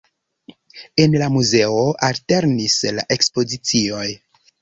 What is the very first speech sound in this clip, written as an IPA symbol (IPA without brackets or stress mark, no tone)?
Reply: e̞